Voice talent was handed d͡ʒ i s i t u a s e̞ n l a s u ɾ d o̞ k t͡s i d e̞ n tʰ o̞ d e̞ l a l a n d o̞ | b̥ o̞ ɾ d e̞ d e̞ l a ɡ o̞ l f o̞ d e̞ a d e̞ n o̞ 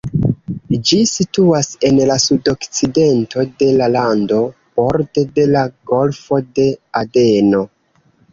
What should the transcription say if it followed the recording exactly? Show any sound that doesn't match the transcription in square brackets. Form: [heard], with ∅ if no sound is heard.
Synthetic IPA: d͡ʒ i s i t u a s e̞ n l a s u [∅] d o̞ k t͡s i d e̞ n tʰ o̞ d e̞ l a l a n d o̞ | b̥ o̞ ɾ d e̞ d e̞ l a ɡ o̞ l f o̞ d e̞ a d e̞ n o̞